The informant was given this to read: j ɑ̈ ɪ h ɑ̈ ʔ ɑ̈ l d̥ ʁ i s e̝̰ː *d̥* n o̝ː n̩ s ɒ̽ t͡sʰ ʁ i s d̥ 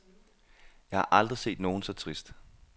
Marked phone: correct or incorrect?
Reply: correct